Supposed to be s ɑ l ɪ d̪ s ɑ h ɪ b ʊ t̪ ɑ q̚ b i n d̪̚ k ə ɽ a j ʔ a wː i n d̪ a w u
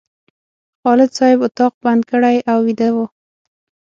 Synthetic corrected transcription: x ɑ l ɪ d̪ s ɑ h ɪ b ʊ t̪ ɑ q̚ b a n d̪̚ k ə ɽ a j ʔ a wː i d̪ a w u

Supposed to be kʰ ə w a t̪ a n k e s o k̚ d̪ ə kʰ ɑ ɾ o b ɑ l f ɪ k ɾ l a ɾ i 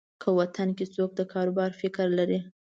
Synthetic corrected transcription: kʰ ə w a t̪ a n k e t͡s o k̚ d̪ ə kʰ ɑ ɾ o b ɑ ɾ f ɪ k ɾ l a ɾ i

